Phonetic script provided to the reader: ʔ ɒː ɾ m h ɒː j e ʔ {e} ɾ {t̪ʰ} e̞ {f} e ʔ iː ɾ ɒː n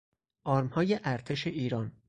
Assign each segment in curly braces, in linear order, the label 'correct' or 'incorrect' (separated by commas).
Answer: incorrect, correct, incorrect